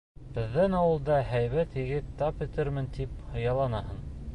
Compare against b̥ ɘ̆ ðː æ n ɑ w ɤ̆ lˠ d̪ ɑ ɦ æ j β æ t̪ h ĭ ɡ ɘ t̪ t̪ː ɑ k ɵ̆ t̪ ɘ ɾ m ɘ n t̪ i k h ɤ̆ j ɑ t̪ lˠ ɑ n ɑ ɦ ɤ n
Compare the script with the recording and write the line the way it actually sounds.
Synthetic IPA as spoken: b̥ ɘ̆ ðː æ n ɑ w ɤ̆ lˠ d̪ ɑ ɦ æ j β æ t̪ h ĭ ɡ ɘ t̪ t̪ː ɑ p ɵ̆ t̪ ɘ ɾ m ɘ n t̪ i p h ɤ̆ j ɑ lˠ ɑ n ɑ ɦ ɤ n